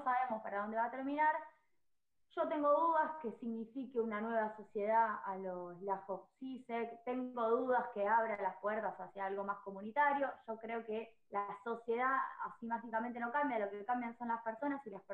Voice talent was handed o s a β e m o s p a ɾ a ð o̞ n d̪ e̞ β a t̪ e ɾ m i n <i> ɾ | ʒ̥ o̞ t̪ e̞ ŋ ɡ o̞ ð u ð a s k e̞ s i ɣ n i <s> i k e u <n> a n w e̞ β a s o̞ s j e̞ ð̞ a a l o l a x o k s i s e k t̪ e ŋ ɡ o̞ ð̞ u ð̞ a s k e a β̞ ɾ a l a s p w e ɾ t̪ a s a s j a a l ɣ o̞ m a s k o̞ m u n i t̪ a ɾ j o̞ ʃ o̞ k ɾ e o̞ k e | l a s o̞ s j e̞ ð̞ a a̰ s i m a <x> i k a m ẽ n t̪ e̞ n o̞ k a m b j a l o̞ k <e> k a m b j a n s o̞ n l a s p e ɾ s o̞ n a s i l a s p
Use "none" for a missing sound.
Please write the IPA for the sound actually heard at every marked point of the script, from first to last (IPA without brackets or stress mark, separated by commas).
a, f, n, x, e